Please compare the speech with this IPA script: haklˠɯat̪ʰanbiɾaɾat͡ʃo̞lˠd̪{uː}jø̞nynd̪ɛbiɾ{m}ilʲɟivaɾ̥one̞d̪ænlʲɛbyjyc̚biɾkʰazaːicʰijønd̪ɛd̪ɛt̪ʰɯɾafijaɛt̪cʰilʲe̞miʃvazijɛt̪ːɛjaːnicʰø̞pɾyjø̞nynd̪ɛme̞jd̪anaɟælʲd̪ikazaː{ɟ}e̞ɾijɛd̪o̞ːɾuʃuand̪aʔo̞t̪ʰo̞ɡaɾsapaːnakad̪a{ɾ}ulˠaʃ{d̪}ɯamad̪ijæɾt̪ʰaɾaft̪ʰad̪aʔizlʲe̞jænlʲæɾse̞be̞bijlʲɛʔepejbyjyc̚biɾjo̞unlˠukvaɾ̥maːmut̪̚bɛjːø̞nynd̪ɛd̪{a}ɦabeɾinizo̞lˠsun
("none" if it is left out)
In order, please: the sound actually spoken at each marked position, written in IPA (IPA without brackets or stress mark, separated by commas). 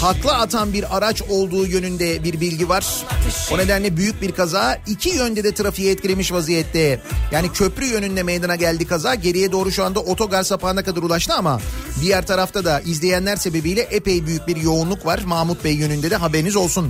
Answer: uː, b, ɟ, ɾ, t̪, ɛ